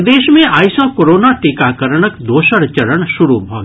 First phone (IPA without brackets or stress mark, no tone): d̪